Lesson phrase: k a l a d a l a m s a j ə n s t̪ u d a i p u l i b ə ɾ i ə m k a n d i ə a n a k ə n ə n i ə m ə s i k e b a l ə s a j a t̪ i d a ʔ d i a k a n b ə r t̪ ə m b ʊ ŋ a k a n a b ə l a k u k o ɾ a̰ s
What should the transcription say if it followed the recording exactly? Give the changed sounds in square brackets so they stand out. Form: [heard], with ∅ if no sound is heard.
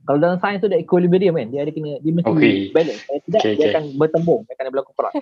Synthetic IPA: k a l a d a l a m s a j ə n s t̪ u d a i [k] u l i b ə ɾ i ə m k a n d i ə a [d] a k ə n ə [d] i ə m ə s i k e b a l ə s a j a t̪ i d a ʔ d i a k a n b ə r t̪ ə m b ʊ ŋ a k a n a b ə l a k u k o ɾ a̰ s